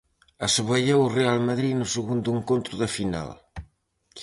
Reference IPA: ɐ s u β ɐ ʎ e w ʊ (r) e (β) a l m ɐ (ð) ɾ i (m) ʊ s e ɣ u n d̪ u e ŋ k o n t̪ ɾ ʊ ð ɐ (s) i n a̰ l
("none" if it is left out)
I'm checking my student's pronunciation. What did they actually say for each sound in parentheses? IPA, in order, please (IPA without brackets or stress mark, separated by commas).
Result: r, none, ð, n, f